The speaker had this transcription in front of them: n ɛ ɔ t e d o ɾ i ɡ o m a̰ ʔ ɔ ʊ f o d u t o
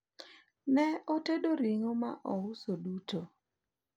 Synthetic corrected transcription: n ɛ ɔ t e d o ɾ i ŋ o m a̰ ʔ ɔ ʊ s o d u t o